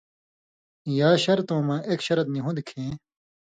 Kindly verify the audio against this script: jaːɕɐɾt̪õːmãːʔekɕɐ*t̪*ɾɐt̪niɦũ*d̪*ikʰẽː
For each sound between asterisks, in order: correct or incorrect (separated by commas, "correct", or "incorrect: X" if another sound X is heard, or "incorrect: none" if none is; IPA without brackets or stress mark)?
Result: incorrect: none, correct